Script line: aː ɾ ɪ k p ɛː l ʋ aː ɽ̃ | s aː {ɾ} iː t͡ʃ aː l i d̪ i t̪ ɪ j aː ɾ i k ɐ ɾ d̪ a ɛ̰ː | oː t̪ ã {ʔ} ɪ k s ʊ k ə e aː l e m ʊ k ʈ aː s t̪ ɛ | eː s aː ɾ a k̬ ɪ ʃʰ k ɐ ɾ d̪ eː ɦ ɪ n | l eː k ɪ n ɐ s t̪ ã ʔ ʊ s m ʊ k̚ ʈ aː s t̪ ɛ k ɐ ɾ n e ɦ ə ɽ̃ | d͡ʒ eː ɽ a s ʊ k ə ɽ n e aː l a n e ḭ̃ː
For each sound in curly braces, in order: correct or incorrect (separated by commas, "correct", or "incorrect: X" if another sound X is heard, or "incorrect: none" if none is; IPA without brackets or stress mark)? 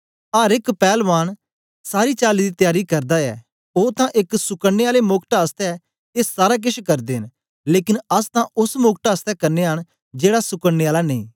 correct, correct